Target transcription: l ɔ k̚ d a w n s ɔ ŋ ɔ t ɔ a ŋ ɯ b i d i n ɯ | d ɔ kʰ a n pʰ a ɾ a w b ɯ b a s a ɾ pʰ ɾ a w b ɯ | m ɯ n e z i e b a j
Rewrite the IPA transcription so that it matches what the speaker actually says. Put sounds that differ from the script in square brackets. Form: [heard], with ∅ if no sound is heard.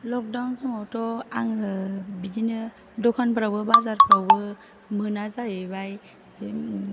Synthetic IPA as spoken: l ɔ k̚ d a w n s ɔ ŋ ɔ t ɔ a ŋ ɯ b i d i n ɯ | d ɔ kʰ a n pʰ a ɾ a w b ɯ b a [z] a ɾ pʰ ɾ a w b ɯ | m ɯ n [a] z [a] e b a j